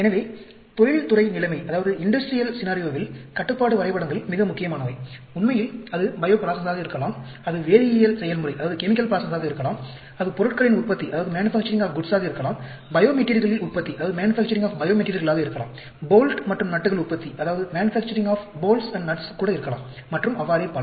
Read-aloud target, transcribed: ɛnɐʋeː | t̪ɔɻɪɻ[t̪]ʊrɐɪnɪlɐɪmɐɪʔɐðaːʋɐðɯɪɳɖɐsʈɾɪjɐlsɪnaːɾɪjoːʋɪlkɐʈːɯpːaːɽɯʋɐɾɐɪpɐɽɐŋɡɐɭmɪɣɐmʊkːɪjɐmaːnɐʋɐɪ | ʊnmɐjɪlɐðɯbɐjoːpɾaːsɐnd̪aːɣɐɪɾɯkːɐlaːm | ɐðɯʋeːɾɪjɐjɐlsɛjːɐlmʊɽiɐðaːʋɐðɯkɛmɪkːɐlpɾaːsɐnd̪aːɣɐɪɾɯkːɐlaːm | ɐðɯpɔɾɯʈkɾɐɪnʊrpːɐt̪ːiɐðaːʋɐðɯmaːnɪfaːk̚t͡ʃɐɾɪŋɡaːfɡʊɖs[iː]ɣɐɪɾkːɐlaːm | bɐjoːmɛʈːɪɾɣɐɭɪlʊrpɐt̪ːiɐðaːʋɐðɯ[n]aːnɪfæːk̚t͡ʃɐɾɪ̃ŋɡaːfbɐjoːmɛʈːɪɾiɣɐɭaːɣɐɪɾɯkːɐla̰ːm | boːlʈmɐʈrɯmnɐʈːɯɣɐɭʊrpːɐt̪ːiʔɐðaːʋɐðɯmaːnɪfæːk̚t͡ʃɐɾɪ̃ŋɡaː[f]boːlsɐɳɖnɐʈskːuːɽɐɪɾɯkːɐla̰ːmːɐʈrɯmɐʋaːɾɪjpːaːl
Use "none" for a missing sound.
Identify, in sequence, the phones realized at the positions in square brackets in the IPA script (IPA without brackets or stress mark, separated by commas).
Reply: t̪, aː, m, f